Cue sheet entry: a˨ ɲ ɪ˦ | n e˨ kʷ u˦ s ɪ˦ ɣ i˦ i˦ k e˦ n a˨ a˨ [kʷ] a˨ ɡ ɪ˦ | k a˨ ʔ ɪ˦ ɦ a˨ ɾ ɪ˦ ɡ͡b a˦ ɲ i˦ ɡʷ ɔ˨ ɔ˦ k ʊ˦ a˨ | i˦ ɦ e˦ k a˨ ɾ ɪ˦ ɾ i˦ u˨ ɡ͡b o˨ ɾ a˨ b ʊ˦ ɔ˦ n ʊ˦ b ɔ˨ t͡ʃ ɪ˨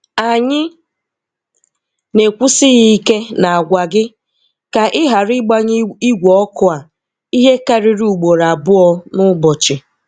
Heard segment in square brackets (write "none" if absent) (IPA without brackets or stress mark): ɡʷ